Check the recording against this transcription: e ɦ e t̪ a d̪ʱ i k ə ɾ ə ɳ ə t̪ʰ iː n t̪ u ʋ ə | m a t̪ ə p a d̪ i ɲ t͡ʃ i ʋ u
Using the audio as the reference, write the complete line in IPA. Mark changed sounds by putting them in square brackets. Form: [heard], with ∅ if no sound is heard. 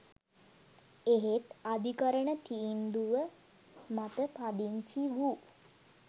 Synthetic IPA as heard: e ɦ e t̪ a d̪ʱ i k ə ɾ ə ɳ ə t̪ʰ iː n [d̪] u ʋ ə | m a t̪ ə p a d̪ i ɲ t͡ʃ i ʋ u